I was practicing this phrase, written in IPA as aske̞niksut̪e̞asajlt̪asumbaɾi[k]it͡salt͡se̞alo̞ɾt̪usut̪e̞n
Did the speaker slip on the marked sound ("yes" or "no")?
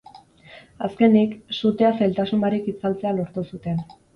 no